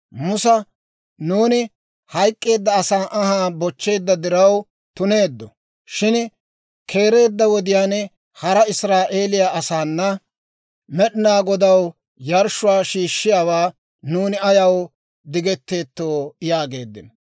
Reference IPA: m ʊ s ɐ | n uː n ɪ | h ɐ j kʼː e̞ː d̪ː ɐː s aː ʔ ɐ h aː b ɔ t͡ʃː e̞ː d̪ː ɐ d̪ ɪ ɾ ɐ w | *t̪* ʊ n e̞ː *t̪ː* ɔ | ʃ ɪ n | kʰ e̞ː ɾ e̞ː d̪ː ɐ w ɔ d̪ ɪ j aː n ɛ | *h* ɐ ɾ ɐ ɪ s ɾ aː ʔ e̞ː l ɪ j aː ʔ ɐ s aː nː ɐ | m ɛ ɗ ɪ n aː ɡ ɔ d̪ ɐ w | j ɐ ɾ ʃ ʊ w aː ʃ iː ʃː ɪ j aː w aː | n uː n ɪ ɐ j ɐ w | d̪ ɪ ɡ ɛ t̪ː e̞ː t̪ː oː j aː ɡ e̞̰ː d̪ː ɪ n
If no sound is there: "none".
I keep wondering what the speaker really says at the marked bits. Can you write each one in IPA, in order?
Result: t̪, d̪ː, h

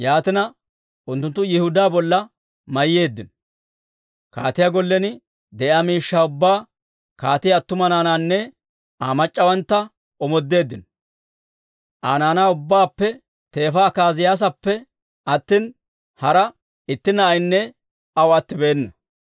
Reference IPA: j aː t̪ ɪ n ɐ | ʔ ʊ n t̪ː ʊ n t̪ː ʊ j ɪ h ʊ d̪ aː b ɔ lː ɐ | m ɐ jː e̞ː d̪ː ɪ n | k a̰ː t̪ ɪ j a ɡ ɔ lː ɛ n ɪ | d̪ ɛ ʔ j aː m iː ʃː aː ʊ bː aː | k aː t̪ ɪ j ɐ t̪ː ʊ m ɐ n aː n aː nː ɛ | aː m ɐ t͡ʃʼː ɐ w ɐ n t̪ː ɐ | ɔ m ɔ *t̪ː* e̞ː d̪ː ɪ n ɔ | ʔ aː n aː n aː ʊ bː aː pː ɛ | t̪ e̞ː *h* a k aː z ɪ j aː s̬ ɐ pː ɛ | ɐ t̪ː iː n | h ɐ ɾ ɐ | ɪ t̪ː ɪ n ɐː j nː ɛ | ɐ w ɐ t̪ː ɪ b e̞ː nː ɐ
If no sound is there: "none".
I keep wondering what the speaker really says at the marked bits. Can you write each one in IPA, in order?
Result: d̪ː, f

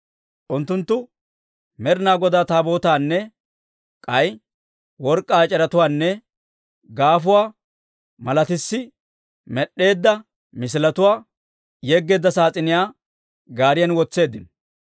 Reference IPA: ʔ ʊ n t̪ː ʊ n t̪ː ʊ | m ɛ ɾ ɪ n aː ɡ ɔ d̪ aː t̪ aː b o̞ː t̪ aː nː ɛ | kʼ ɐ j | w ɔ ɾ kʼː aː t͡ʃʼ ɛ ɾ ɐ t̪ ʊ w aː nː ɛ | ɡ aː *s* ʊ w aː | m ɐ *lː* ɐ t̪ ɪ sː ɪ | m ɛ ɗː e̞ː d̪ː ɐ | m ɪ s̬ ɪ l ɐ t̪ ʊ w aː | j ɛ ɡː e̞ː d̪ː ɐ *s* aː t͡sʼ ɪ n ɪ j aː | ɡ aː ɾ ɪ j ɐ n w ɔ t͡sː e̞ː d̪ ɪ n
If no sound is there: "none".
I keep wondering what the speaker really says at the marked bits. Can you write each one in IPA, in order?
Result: f, l, s

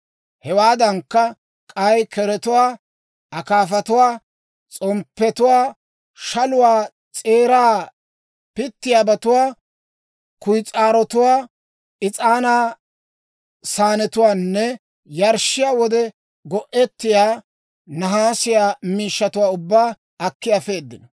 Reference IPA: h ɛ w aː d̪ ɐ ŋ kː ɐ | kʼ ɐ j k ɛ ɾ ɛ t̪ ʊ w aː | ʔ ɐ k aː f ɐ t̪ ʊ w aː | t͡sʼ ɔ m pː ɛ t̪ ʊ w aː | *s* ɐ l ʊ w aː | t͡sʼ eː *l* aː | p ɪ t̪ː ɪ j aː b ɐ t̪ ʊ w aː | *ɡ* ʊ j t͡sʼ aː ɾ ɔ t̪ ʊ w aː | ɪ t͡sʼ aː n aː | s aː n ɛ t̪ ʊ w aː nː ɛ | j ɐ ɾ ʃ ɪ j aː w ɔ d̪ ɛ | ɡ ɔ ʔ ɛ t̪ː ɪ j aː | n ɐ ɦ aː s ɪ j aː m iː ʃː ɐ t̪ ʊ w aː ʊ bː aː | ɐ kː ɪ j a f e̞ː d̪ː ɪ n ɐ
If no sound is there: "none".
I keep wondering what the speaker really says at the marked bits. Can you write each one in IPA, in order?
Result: ʃ, ɾ, k

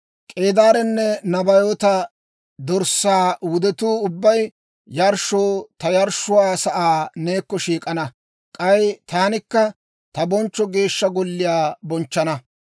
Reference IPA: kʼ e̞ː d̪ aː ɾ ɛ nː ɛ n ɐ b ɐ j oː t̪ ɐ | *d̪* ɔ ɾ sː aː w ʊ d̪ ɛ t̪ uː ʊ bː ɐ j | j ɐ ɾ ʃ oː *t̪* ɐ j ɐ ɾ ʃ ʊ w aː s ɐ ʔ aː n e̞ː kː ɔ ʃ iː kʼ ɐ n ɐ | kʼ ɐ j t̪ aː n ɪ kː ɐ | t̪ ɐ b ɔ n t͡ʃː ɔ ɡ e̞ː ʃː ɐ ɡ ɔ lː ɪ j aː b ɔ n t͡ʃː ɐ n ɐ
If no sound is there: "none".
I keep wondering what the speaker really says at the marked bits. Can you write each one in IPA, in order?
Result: d̪, t̪

